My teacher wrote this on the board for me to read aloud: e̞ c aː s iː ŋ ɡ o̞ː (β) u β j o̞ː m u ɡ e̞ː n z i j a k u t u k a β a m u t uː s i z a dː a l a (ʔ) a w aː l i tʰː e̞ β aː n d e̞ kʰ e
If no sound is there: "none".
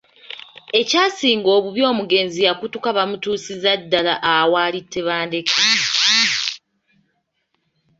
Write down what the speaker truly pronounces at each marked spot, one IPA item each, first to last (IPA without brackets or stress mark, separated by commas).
β, ʔ